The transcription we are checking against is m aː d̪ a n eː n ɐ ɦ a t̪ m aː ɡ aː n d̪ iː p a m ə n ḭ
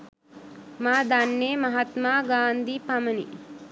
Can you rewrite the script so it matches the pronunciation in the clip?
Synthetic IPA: m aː d̪ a nː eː m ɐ ɦ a t̪ m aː ɡ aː n d̪ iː p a m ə n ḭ